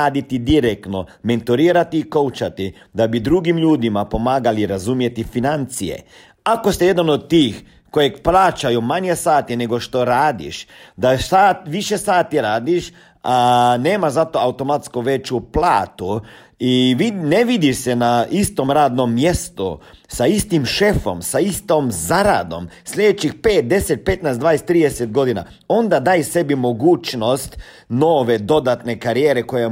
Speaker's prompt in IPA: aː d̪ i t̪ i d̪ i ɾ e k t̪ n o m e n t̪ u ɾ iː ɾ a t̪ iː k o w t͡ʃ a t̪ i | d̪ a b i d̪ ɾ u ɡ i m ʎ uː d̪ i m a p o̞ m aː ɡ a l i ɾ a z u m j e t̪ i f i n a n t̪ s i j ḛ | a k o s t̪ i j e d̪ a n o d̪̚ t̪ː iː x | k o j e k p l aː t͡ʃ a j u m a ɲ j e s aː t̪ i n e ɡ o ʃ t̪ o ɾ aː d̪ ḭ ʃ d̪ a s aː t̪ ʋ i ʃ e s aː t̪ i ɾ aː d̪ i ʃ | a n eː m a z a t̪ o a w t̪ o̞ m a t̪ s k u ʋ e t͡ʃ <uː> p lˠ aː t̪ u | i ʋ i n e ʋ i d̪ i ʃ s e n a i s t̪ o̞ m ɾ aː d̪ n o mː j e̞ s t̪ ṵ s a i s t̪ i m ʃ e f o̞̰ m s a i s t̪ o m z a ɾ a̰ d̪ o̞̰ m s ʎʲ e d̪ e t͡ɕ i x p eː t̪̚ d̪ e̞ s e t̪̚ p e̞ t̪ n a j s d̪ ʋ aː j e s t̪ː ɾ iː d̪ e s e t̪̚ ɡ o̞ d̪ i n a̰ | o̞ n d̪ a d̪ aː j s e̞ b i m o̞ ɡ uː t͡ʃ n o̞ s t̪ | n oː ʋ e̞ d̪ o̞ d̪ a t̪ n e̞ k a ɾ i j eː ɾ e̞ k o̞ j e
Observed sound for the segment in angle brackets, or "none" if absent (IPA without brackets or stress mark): u